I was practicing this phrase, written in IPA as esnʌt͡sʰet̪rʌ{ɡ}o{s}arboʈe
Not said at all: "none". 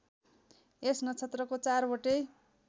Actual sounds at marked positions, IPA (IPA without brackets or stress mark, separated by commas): k, t͡s